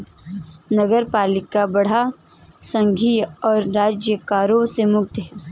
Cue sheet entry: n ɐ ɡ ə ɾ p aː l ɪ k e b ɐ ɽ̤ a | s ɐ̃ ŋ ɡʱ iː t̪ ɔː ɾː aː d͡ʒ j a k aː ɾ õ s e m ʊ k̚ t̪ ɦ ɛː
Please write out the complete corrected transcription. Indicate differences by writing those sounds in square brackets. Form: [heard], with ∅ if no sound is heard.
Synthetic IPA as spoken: n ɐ ɡ ə ɾ p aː l ɪ k [a] b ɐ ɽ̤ a | s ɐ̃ ŋ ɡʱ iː [∅] ɔː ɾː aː d͡ʒ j [ə] k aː ɾ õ s e m ʊ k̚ t̪ ɦ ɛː